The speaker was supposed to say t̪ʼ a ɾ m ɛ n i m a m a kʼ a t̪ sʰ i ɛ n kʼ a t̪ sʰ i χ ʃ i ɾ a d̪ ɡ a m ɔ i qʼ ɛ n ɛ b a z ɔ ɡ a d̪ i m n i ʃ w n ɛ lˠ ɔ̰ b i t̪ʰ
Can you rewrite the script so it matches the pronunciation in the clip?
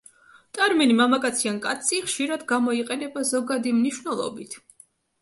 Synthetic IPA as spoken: t̪ʼ a ɾ m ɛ n i m a m a kʼ a t̪ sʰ i a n kʼ a t̪ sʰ i χ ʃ i ɾ a d̪ ɡ a m ɔ i qʼ ɛ n ɛ b a z ɔ ɡ a d̪ i m n i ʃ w n ɛ lˠ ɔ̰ b i t̪ʰ